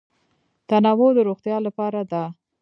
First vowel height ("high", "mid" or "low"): low